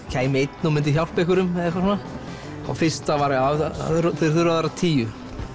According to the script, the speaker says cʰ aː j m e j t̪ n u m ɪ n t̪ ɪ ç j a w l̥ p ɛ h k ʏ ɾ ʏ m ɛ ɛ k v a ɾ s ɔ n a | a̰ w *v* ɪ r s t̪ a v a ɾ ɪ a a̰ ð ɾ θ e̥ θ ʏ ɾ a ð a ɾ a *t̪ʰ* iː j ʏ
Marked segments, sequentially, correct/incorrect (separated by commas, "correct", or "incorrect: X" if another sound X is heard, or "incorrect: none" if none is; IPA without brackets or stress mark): incorrect: f, correct